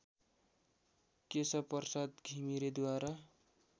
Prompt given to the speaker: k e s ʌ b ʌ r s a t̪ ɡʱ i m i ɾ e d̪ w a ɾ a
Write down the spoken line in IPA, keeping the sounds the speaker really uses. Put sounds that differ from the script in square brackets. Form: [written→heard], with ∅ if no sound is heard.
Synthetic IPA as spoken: k e s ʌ [b→p] ʌ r s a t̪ ɡʱ i m i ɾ e d̪ w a ɾ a